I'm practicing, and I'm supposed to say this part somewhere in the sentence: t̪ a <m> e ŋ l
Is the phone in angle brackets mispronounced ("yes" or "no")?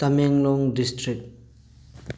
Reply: no